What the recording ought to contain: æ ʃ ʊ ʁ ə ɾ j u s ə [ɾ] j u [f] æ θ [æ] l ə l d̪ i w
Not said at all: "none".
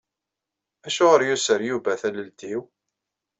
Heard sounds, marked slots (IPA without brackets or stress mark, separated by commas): ɾ, v, æ